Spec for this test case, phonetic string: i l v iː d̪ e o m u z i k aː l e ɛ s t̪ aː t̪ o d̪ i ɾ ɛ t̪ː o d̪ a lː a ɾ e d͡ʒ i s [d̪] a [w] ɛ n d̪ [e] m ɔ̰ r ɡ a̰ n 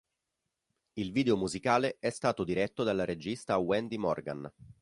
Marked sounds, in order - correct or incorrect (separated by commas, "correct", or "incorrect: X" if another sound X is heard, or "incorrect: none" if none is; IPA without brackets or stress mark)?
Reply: incorrect: t̪, correct, incorrect: i